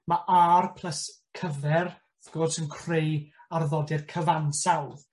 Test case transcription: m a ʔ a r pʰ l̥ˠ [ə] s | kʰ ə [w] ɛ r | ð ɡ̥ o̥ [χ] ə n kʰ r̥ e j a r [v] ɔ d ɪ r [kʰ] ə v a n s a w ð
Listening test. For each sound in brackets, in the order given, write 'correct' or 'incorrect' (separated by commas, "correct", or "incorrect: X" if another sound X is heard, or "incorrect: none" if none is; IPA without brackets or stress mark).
correct, incorrect: v, incorrect: s, incorrect: ð, correct